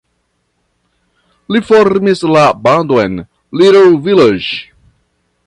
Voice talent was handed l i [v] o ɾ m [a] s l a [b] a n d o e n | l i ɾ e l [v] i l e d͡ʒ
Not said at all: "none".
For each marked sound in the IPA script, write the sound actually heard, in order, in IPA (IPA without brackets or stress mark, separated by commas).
f, i, b, v